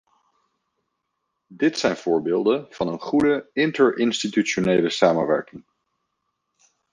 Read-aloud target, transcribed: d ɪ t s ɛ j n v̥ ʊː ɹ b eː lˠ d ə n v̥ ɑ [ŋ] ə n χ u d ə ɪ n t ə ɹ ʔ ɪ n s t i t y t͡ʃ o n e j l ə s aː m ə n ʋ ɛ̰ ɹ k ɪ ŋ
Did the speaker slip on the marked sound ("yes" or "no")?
yes